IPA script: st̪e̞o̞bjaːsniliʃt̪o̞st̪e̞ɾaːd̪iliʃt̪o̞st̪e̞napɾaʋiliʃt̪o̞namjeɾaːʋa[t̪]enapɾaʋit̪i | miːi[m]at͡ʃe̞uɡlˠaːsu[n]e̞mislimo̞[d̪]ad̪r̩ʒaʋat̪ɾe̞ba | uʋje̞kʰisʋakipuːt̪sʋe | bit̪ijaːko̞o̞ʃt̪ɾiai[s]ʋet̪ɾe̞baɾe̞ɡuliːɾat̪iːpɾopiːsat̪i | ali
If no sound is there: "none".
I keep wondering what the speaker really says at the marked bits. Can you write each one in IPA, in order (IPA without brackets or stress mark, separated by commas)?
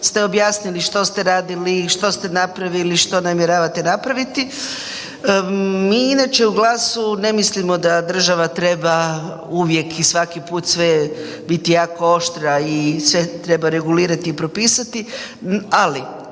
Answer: t̪, n, n, d̪, s